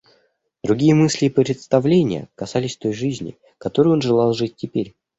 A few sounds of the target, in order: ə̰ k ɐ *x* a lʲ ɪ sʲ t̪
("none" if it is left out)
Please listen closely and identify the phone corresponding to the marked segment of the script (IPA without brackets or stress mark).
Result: s